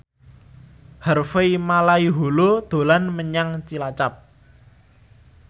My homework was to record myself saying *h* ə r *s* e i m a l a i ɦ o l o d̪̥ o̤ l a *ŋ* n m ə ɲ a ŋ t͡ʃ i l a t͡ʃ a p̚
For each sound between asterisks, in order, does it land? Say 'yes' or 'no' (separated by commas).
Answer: yes, no, no